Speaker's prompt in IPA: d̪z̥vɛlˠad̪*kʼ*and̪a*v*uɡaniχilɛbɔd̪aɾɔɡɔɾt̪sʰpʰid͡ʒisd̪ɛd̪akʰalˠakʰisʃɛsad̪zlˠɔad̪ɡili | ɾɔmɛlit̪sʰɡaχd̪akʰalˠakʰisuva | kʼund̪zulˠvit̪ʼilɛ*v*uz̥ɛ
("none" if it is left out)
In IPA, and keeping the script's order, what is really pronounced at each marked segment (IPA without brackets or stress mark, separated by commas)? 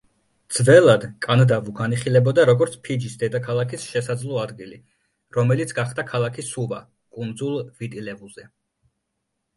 kʼ, v, v